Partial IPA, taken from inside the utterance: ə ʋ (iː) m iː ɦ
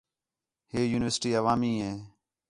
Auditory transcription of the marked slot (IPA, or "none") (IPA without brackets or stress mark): aː